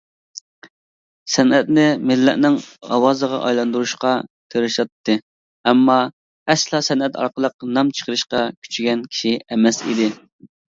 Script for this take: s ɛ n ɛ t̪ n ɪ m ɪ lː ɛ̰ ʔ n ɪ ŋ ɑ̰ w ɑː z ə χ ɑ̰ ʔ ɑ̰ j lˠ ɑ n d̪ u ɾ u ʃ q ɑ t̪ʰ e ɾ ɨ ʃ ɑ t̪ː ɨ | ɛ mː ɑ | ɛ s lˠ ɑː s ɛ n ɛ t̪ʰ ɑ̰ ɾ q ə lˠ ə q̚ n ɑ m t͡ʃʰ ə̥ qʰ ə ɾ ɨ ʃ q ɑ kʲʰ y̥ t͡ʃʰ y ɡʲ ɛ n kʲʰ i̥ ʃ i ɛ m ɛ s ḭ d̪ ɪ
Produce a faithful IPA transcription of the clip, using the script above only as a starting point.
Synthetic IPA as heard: s ɛ n ɛ t̪ n ɪ m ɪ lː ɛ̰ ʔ n ɪ ŋ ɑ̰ w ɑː z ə ʁ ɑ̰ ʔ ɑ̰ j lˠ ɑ n d̪ u ɾ u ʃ q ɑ t̪ʰ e ɾ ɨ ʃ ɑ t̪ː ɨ | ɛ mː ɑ | ɛ s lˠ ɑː s ɛ n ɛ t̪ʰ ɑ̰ ɾ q ə lˠ ə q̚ n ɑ m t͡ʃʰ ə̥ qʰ ə ɾ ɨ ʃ q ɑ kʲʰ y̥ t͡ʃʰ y ɡʲ ɛ n kʲʰ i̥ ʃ i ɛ m ɛ s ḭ d̪ ɪ